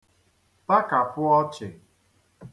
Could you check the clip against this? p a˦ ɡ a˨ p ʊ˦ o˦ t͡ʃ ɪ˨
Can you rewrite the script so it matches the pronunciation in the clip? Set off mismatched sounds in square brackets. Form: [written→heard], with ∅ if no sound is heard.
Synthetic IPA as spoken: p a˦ [ɡ→k] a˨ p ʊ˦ [o˦→ɔ˦] t͡ʃ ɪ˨

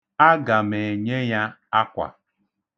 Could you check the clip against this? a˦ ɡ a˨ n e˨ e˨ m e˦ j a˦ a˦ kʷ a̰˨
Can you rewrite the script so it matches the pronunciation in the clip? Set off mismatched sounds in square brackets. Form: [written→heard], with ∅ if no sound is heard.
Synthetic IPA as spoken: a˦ ɡ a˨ [n→m] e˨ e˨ [m→ɲ] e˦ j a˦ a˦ kʷ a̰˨

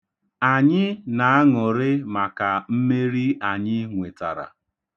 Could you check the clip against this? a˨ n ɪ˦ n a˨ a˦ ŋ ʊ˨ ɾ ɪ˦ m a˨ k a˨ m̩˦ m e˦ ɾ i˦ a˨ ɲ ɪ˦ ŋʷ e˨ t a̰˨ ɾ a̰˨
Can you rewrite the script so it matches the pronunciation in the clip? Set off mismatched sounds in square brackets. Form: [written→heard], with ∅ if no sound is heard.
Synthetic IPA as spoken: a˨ [n→ɲ] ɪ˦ n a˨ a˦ ŋ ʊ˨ ɾ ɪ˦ m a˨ k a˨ m̩˦ m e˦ ɾ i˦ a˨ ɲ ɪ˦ ŋʷ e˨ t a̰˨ ɾ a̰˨

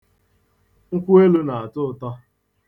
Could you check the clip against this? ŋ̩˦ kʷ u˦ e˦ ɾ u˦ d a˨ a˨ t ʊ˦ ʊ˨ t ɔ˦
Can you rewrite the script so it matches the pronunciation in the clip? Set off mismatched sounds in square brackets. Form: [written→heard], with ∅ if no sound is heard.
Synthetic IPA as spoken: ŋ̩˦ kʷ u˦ e˦ [ɾ→l] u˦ [d→n] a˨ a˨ t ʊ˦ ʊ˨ t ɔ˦

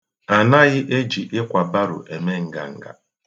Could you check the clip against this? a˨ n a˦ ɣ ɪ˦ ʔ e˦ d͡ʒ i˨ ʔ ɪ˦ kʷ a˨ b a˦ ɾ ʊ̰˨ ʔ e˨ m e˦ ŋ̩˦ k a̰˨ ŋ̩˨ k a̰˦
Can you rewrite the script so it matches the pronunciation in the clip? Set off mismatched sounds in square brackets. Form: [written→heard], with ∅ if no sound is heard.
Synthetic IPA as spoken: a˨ n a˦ ɣ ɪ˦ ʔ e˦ d͡ʒ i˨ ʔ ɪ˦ kʷ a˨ b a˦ ɾ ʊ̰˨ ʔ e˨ m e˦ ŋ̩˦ [k→ɡ] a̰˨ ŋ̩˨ [k→ɡ] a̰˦

